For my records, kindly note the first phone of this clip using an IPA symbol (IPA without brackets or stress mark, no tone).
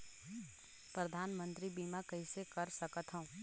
p